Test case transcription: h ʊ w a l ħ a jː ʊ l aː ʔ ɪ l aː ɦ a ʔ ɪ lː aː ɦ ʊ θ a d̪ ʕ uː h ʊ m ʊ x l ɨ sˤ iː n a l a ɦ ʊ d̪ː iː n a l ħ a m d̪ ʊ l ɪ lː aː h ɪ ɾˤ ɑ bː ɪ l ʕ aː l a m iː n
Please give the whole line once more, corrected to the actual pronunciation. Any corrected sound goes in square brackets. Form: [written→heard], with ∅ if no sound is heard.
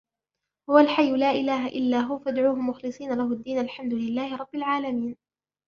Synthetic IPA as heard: h ʊ w a l ħ a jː ʊ l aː ʔ ɪ l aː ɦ a ʔ ɪ lː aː ɦ ʊ [θ→f] a d̪ ʕ uː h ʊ m ʊ x l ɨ sˤ iː n a l a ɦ ʊ d̪ː iː n a l ħ a m d̪ ʊ l ɪ lː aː h ɪ ɾˤ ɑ bː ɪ l ʕ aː l a m iː n